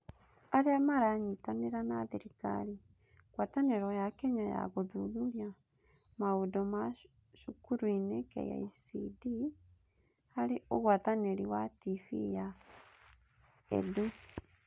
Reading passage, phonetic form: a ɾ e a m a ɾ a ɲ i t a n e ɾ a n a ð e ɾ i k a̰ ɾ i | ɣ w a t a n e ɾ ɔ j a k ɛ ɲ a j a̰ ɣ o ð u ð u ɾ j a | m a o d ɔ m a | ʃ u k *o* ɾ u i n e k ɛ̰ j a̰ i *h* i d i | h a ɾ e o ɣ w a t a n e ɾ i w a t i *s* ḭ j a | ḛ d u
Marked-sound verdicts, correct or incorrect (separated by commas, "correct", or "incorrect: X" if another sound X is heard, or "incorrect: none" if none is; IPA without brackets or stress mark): incorrect: u, incorrect: s, incorrect: f